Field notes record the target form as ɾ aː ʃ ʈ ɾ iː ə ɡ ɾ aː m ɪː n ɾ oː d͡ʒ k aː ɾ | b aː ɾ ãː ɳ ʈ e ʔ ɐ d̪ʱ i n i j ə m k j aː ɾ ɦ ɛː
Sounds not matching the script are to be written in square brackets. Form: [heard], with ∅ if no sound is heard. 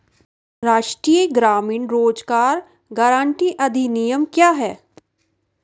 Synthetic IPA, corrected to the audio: ɾ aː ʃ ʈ ɾ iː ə ɡ ɾ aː m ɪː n ɾ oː d͡ʒ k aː ɾ | [ɡ] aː ɾ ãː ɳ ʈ [i] ʔ ɐ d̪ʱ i n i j ə m k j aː [∅] ɦ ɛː